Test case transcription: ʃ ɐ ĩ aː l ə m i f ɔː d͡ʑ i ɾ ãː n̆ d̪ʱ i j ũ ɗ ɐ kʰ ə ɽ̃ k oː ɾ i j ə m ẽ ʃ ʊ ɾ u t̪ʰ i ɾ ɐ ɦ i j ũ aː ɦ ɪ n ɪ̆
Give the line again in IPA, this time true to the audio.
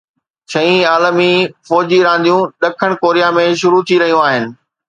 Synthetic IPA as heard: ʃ ɐ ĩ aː l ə m i f ɔː d͡ʑ i ɾ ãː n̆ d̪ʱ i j ũ ɗ ɐ kʰ ə ɽ̃ k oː ɾ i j a m ẽ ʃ ʊ ɾ u t̪ʰ i ɾ ɐ ɦ i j ũ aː ɦ ɪ n ɪ̆